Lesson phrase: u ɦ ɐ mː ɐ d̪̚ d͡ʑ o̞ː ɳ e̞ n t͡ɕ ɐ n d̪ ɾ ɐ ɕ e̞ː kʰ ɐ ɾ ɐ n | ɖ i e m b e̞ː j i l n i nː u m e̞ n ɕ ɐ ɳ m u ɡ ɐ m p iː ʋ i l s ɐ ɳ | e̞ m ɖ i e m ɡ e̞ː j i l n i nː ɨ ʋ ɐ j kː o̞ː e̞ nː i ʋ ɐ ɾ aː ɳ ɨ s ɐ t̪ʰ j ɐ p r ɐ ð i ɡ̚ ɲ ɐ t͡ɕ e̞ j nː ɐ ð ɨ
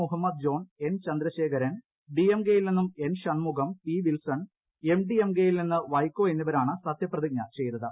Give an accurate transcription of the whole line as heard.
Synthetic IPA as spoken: u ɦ ɐ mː ɐ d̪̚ d͡ʑ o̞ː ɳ e̞ n t͡ɕ ɐ n d̪ ɾ ɐ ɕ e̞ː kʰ ɐ ɾ ɐ n | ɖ i e m ɡ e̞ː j i l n i nː u m e̞ n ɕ ɐ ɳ m u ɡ ɐ m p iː ʋ i l s ɐ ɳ | e̞ m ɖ i e m ɡ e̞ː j i l n i nː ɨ ʋ ɐ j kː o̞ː e̞ nː i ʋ ɐ ɾ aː ɳ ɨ s ɐ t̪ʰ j ɐ p r ɐ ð i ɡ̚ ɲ ɐ t͡ɕ e̞ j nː ɐ ð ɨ